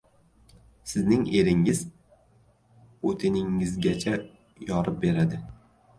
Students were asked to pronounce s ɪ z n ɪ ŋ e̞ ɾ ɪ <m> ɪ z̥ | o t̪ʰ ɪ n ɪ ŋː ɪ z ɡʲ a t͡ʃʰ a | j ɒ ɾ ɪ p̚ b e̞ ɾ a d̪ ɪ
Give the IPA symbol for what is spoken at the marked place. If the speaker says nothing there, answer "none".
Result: ŋ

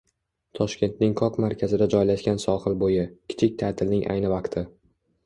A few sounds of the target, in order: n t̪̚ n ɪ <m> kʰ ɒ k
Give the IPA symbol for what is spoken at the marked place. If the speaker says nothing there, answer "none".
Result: ŋ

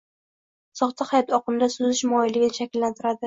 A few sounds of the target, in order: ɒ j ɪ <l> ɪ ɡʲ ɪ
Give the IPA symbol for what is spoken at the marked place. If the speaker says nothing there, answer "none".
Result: l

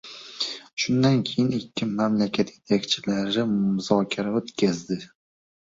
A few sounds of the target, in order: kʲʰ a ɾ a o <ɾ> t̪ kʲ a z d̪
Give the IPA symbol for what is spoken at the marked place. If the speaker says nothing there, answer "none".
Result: none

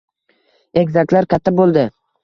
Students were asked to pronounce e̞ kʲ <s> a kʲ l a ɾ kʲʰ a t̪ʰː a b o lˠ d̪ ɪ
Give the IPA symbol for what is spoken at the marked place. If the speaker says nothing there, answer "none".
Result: z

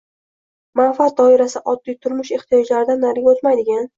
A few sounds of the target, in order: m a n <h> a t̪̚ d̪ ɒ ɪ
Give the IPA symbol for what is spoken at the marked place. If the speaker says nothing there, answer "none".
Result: f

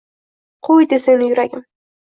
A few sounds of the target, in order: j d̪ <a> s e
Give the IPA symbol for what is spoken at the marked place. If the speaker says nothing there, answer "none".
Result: e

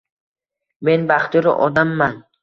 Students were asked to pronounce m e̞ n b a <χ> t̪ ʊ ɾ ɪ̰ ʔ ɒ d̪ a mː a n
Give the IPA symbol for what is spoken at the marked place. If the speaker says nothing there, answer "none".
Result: χ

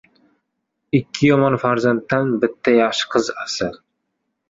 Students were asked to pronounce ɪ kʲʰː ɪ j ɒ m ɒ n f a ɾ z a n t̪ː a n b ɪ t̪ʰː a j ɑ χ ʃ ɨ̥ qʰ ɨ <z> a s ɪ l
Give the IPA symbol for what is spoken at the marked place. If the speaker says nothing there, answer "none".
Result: z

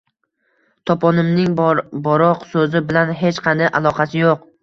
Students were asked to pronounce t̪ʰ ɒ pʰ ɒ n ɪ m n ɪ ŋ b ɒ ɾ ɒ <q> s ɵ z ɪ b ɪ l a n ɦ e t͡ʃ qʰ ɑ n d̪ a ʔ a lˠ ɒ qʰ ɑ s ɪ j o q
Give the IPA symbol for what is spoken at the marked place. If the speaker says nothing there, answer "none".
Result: q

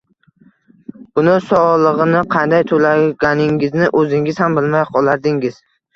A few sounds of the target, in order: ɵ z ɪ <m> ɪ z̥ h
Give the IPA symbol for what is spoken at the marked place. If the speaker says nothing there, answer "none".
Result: ŋ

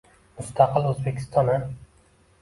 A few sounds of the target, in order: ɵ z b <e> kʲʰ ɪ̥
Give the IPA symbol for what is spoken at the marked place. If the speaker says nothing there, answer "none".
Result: e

